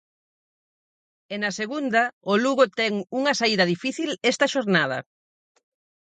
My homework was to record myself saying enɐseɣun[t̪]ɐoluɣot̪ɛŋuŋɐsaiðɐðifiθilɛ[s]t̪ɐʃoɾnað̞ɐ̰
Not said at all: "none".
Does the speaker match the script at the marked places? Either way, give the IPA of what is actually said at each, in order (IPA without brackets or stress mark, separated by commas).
d̪, s